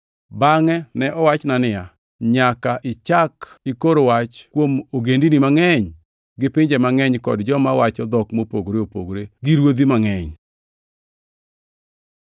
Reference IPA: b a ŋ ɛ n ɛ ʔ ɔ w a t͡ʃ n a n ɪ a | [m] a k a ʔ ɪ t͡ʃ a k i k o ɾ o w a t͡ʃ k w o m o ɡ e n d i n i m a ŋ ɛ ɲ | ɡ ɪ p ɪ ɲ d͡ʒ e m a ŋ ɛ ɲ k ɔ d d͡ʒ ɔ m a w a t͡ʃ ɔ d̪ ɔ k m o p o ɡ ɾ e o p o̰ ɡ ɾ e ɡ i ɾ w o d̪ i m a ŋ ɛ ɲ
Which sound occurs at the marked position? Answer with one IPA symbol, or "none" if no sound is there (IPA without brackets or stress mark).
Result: ɲ